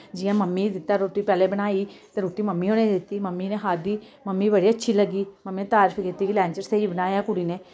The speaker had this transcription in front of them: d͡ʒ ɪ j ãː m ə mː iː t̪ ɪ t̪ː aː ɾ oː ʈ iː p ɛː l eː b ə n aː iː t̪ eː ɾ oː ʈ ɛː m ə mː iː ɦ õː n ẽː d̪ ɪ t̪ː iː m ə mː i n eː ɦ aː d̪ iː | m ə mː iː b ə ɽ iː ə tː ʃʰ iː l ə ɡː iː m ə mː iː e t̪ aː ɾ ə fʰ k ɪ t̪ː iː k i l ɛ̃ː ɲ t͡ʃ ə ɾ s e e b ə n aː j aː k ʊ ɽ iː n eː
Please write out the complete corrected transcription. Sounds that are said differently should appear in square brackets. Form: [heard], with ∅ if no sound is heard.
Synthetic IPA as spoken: d͡ʒ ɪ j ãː m ə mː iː [d̪] ɪ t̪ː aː ɾ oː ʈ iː p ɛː l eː b ə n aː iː t̪ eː ɾ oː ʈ [iː] m ə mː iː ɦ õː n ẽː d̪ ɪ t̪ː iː m ə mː i n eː ɦ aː d̪ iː | m ə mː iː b ə ɽ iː ə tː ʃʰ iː l ə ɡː iː m ə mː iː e t̪ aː ɾ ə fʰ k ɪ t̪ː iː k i l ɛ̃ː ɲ t͡ʃ ə ɾ s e [i] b ə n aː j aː k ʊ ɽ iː n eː